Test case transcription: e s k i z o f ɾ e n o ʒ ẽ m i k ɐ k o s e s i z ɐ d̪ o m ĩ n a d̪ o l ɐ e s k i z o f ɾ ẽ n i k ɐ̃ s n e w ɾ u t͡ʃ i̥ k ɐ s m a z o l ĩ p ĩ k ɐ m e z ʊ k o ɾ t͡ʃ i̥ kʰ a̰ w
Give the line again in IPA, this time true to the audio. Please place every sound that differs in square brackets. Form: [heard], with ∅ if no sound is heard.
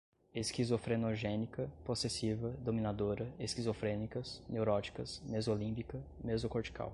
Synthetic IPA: e s k i z o f ɾ e n o ʒ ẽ [n] i k ɐ [p] o s e s i [v] ɐ d̪ o m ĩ n a d̪ o [ɾ] ɐ e s k i z o f ɾ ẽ n i k [ɐ] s n e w ɾ [ɔ] t͡ʃ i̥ k ɐ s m [e] z o l ĩ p [i] k ɐ m e z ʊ k o ɾ t͡ʃ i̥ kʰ a̰ w